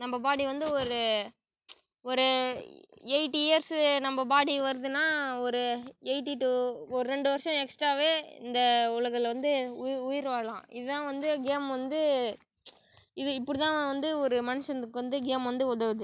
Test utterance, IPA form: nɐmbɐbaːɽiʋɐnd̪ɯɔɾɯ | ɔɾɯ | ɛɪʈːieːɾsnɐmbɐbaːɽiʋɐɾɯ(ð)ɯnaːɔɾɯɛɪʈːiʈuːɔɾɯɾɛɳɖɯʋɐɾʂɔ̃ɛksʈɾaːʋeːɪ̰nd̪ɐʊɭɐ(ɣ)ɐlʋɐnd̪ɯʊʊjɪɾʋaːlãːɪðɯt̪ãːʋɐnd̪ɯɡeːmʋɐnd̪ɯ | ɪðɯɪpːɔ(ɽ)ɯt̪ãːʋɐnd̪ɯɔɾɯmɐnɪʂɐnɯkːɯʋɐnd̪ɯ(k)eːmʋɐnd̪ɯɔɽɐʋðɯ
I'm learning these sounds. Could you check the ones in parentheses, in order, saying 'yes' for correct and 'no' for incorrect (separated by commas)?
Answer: yes, yes, yes, no